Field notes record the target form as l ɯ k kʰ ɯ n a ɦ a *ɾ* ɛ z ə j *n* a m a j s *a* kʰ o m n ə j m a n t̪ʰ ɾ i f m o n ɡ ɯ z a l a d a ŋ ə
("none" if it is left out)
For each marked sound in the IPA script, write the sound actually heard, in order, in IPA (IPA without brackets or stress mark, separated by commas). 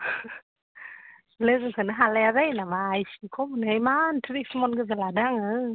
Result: l, n, i